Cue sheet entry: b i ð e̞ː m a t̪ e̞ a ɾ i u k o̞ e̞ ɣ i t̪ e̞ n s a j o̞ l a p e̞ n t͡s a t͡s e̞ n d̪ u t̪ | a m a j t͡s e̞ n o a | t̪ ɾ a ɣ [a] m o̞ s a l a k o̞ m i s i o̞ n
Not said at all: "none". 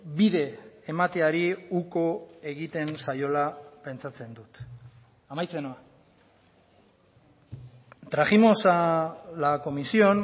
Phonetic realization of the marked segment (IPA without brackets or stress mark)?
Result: i